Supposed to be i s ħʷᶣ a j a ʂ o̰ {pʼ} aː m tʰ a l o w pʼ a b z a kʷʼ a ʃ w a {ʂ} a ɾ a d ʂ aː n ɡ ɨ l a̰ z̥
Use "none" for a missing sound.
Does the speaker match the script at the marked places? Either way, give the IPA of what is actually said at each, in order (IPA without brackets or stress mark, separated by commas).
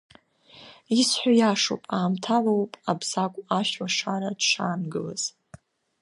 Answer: pʼ, ʂ